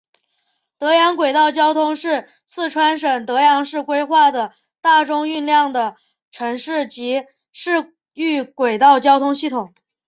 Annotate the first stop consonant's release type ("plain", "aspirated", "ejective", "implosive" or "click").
plain